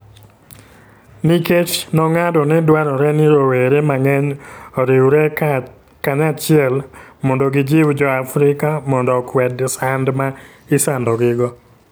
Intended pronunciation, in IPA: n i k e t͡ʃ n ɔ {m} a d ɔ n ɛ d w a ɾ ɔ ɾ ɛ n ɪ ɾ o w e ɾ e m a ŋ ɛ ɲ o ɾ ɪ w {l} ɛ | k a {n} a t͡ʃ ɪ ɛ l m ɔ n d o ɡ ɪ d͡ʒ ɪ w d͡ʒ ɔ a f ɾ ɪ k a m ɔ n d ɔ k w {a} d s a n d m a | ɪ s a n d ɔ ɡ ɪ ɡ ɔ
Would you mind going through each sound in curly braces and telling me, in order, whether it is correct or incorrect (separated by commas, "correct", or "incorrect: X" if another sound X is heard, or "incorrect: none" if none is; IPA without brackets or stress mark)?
incorrect: ŋ, incorrect: ɾ, incorrect: ɲ, incorrect: ɛ